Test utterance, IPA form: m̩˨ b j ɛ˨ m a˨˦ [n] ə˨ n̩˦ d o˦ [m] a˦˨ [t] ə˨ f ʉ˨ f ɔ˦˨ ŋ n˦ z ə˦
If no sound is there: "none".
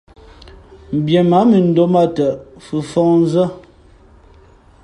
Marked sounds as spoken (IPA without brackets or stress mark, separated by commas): m, m, t